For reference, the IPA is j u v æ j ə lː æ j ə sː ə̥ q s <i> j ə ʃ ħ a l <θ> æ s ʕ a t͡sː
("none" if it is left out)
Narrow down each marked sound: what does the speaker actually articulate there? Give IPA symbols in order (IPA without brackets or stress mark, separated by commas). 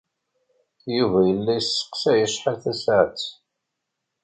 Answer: æ, θ